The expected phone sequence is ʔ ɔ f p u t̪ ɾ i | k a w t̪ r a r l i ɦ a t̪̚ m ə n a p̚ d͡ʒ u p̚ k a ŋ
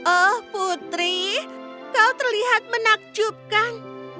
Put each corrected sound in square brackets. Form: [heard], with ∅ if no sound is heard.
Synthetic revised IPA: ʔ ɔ [h] p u t̪ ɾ i | k a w t̪ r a [∅] l i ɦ a t̪̚ m ə n a [k̚] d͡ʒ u p̚ k a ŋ